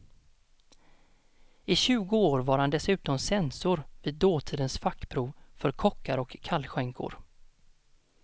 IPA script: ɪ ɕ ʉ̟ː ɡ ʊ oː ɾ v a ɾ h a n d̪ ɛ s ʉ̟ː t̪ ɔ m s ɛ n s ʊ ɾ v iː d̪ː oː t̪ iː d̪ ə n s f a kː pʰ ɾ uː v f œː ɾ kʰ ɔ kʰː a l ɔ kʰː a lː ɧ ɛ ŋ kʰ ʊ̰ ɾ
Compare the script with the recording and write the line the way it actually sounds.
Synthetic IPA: ɪ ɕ ʉ̟ː ɡ ʊ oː ɾ v a ɾ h a n d̪ ɛ s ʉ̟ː t̪ ɔ m s ɛ n s ʊ ɾ v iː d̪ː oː t̪ʰ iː d̪ ə n s f a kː pʰ ɾ uː v f œ ɾ kʰ ɔ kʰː a ɾ ɔ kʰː a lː ɧ ɛ ŋ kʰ ʊ̰ ɾ